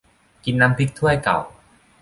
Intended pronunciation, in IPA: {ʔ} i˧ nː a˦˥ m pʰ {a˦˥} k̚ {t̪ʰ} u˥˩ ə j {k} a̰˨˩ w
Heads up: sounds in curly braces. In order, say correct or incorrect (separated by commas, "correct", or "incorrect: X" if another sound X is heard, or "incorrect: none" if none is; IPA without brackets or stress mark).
incorrect: k, incorrect: i˦˥, correct, correct